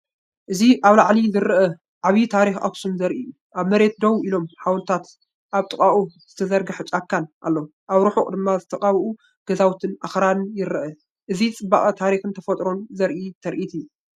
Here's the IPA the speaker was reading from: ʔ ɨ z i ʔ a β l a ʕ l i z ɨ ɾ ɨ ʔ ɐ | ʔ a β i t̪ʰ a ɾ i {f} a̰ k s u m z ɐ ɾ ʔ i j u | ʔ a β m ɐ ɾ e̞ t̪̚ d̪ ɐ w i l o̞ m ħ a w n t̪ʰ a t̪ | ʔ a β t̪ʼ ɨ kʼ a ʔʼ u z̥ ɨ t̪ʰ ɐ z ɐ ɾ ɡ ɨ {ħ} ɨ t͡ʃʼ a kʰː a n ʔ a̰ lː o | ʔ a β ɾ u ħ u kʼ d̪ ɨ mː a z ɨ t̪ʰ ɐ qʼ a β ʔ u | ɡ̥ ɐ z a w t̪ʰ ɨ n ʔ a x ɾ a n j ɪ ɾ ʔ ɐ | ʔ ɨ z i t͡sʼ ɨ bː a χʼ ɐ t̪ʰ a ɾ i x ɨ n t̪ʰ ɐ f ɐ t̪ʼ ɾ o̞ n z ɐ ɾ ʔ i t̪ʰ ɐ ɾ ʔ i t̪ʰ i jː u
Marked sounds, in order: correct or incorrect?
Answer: incorrect, correct

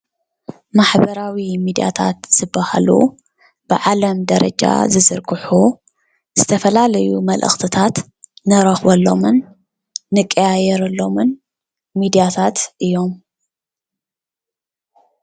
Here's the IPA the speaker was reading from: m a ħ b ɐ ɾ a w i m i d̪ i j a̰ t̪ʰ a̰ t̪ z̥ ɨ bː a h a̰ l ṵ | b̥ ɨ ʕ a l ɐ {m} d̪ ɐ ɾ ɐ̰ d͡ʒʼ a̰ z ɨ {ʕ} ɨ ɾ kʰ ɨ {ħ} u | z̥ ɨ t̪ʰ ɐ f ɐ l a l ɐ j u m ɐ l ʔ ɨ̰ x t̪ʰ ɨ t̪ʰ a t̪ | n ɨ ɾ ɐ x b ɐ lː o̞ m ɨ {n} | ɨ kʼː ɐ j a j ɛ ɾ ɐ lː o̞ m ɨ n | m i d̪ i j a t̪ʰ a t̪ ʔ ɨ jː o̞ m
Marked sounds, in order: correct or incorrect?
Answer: correct, incorrect, correct, incorrect

